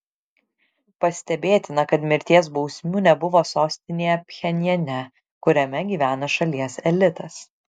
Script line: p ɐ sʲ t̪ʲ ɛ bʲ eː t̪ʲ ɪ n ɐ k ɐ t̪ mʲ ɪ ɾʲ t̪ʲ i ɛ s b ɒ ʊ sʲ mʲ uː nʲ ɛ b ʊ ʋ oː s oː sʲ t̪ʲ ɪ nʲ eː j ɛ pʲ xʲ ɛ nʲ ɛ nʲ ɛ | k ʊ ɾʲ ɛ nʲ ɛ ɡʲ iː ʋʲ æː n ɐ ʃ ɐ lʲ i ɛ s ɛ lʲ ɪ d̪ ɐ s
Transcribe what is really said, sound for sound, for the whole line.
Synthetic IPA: p ɐ sʲ t̪ʲ ɛ bʲ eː t̪ʲ ɪ n ɐ k ɐ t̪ mʲ ɪ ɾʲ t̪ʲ i ɛ s b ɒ ʊ sʲ mʲ uː nʲ ɛ b ʊ ʋ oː s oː sʲ t̪ʲ ɪ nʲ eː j ɛ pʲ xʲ ɛ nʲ ɛ nʲ ɛ | k ʊ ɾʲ ɛ mʲ ɛ ɡʲ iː ʋʲ æː n ɐ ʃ ɐ lʲ i ɛ s ɛ lʲ ɪ t̪ ɐ s